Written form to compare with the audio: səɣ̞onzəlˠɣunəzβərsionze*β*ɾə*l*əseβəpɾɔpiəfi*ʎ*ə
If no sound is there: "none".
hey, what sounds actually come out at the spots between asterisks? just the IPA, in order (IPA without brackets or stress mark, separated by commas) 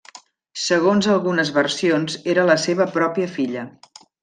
none, l, ʎ